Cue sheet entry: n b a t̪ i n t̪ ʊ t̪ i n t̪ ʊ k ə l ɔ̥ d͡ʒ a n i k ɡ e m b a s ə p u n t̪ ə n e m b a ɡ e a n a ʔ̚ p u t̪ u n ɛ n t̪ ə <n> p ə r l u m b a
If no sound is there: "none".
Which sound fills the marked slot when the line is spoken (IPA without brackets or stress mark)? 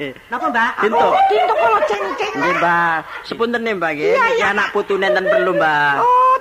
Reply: n